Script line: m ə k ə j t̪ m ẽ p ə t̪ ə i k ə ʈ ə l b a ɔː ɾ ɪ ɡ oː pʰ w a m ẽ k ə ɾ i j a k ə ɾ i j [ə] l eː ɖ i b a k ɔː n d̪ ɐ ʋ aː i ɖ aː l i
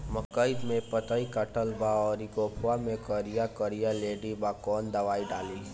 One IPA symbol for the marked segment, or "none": a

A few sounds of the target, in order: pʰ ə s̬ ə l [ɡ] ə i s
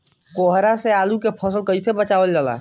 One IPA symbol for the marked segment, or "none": k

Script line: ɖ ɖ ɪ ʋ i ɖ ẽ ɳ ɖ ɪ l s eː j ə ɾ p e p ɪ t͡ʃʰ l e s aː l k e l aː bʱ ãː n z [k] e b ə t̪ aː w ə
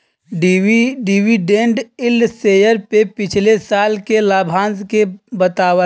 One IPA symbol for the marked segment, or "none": k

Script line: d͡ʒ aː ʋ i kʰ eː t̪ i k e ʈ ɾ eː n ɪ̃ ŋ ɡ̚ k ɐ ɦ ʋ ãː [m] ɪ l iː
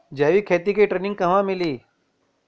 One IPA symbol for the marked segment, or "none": m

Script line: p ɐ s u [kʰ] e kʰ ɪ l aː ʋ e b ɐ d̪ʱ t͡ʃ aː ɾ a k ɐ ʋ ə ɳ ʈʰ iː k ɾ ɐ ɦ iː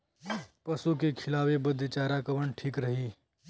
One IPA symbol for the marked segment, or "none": k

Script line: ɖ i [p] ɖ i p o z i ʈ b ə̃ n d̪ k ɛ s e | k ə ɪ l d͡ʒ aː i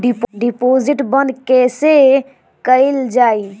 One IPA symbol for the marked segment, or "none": p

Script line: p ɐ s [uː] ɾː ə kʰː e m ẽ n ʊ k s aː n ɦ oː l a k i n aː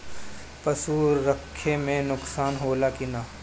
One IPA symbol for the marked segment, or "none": uː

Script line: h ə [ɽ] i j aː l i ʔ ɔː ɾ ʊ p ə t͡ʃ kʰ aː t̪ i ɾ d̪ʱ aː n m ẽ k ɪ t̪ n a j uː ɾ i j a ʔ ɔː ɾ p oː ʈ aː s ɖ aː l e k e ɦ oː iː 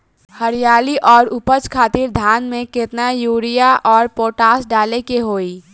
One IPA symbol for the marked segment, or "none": ɾ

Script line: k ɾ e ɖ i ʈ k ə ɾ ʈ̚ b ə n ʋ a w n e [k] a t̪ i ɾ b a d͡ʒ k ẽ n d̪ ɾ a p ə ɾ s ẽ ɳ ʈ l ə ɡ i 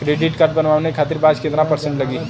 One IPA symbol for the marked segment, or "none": kʰ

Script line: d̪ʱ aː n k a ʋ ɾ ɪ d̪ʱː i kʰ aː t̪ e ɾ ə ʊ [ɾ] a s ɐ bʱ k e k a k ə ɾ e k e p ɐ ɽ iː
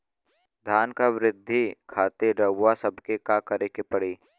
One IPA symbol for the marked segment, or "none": none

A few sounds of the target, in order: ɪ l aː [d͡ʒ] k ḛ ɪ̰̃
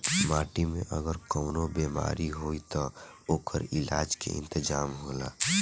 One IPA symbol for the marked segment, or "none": d͡ʒ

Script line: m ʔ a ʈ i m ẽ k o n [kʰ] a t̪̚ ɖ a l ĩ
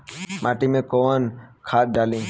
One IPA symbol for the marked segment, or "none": kʰ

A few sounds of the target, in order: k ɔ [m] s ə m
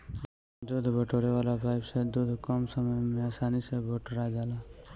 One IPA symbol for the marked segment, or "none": m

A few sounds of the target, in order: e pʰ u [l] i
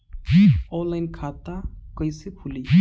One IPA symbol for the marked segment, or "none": l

